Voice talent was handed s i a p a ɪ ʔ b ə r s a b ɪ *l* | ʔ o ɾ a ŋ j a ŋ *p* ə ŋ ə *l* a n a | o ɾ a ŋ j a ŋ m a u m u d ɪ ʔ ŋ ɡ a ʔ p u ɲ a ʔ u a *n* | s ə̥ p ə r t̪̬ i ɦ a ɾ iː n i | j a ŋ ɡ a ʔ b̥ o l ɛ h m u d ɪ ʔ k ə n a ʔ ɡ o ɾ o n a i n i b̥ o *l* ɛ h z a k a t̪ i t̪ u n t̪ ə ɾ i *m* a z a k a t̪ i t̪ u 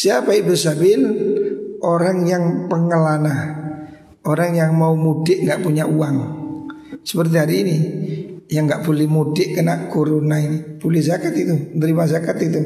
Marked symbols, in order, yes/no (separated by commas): yes, yes, yes, no, yes, yes